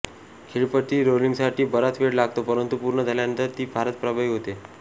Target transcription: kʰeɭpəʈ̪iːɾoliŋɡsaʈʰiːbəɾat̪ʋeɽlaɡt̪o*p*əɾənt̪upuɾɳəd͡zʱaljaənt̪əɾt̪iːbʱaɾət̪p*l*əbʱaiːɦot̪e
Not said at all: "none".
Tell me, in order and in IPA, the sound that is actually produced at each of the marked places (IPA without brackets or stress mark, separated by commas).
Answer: p, ɾ